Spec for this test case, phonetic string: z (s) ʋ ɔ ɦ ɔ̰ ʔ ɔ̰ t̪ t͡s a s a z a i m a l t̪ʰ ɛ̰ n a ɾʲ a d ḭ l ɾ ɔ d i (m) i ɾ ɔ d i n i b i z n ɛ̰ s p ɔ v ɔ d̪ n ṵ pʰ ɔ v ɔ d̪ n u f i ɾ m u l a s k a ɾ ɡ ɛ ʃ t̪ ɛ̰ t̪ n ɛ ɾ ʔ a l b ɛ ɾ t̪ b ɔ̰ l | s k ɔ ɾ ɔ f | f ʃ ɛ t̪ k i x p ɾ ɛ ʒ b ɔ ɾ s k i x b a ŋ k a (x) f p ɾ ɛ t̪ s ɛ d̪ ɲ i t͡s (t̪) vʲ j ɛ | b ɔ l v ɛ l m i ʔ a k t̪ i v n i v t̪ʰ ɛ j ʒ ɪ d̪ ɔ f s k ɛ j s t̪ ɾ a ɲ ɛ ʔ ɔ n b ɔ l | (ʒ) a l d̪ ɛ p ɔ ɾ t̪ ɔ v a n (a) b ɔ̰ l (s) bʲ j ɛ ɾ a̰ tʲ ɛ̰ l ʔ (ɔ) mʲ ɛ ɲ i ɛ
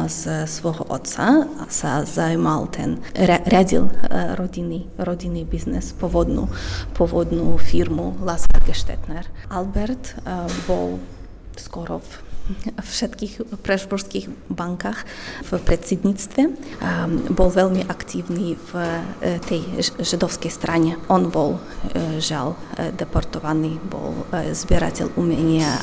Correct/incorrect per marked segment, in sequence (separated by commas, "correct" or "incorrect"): correct, incorrect, correct, correct, correct, incorrect, incorrect, incorrect